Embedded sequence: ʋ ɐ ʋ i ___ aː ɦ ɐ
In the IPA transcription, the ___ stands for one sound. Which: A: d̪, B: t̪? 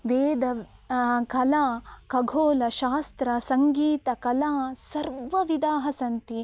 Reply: A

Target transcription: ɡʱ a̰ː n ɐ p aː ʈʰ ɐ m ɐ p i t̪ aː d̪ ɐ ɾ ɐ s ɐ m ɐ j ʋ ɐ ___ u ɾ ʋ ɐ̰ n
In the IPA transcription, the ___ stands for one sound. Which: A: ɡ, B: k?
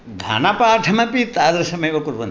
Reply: B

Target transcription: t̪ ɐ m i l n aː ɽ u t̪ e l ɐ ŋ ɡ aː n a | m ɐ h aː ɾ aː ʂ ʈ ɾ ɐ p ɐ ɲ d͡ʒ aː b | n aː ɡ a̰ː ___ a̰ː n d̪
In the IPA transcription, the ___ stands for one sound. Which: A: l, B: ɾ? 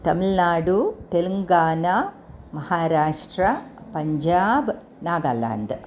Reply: A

